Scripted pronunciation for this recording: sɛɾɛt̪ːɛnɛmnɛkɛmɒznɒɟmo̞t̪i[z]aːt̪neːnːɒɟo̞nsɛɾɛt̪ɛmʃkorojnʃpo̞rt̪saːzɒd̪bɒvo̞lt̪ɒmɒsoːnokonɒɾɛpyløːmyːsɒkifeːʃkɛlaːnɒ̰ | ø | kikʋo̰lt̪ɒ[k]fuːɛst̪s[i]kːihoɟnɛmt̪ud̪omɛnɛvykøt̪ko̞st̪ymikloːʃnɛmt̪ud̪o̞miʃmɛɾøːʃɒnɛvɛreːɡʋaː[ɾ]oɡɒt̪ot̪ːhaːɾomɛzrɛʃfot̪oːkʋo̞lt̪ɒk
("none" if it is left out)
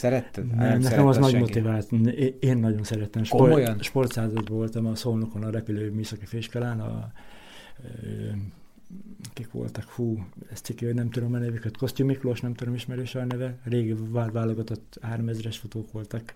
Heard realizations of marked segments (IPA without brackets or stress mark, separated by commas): v, k, i, l